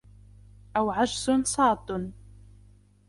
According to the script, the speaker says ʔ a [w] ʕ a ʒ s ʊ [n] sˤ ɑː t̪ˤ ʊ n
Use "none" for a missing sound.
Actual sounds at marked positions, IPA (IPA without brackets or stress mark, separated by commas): w, n